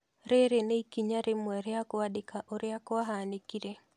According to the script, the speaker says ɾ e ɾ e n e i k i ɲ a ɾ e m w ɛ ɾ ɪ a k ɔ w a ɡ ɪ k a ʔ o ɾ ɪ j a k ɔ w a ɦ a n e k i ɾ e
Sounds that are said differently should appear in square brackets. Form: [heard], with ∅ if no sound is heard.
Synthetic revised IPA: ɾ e ɾ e n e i k i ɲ a ɾ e m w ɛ ɾ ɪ a k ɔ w a [d] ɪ k a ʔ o ɾ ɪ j a k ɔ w a ɦ a n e k i ɾ e